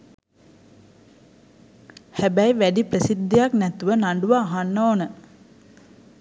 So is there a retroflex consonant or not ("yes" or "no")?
yes